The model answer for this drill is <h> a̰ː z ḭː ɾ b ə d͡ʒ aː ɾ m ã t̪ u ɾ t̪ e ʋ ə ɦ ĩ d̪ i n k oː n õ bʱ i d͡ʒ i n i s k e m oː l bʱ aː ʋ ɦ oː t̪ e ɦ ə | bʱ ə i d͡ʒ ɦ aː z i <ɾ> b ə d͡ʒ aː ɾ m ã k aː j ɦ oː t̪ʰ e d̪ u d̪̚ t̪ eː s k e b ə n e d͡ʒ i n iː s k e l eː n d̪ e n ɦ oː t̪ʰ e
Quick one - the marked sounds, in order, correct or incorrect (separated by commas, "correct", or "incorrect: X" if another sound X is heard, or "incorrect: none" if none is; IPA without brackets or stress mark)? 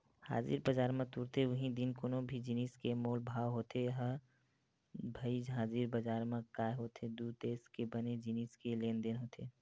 correct, correct